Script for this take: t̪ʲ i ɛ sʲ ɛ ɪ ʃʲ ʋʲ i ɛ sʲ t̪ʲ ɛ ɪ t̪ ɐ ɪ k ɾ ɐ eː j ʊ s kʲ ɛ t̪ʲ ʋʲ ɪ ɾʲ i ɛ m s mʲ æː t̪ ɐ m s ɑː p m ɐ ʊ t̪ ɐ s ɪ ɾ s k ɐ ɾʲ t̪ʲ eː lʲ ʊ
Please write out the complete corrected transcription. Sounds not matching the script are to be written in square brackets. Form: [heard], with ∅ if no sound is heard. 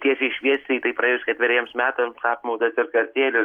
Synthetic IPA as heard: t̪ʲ i ɛ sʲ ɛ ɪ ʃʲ ʋʲ i ɛ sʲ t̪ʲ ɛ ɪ t̪ ɐ ɪ [p] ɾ ɐ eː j ʊ s kʲ ɛ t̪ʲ ʋʲ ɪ ɾʲ i ɛ m s mʲ æː t̪ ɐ m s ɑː p m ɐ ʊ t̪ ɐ s ɪ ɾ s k ɐ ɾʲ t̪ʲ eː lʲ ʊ